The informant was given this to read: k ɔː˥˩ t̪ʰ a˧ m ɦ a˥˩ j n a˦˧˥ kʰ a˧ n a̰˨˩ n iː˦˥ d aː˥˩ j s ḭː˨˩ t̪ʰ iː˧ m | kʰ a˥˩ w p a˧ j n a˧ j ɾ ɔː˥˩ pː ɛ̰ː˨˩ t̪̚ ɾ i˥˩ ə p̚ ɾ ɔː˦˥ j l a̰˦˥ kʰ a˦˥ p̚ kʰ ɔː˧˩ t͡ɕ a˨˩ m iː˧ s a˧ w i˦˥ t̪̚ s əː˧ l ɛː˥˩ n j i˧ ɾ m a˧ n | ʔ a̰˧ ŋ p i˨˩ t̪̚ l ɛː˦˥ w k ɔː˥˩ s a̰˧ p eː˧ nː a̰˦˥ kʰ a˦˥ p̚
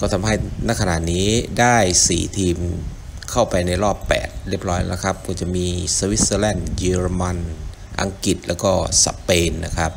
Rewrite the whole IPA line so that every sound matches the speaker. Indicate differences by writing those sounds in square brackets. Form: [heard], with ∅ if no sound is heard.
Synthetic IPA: k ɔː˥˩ t̪ʰ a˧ m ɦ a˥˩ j n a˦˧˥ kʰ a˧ n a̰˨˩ n iː˦˥ d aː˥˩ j s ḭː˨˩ t̪ʰ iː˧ m | kʰ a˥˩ w p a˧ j n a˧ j ɾ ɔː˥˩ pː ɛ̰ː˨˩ t̪̚ ɾ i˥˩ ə p̚ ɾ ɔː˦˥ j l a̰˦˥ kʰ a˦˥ p̚ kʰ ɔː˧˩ t͡ɕ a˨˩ m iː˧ s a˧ w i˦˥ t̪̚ s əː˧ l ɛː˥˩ n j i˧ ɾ m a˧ n | ʔ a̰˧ ŋ [k] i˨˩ t̪̚ l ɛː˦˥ w k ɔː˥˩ s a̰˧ p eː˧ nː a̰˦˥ kʰ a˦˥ p̚